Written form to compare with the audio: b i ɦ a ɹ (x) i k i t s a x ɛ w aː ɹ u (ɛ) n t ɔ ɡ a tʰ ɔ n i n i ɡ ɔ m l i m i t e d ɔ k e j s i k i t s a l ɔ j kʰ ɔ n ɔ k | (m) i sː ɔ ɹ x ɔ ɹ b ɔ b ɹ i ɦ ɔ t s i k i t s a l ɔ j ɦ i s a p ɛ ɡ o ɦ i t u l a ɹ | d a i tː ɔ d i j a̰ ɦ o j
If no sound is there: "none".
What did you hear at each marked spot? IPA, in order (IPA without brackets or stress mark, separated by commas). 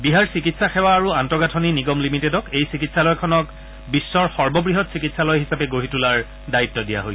s, a, b